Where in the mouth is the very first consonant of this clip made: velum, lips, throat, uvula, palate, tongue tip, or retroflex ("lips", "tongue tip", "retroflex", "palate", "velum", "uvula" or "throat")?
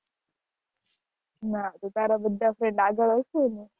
tongue tip